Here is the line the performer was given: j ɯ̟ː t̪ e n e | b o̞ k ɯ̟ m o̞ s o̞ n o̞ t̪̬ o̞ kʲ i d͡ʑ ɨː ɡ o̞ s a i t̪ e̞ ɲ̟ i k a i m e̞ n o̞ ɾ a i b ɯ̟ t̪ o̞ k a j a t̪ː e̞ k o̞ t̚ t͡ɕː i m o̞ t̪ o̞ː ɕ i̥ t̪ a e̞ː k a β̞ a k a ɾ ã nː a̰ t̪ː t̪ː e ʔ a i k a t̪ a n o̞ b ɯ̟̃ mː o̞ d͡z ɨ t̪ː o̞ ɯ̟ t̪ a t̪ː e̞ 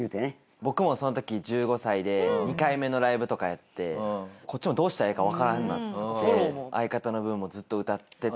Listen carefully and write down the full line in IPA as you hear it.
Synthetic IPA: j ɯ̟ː t̪ e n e | b o̞ k ɯ̟ m o̞ s o̞ n o̞ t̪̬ o̞ kʲ i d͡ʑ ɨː ɡ o̞ s a i d̪ e̞ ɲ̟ i k a i m e̞ n o̞ ɾ a i b ɯ̟ t̪ o̞ k a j a t̪ː e̞ k o̞ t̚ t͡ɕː i m o̞ d̪ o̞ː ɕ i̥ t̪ a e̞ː k a β̞ a k a ɾ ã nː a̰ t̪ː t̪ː e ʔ a i k a t̪ a n o̞ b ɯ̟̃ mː o̞ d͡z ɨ t̪ː o̞ ɯ̟ t̪ a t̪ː e̞